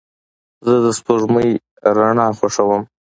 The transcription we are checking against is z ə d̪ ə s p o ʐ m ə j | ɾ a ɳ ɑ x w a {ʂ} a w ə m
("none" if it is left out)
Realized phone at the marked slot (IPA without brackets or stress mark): ʂ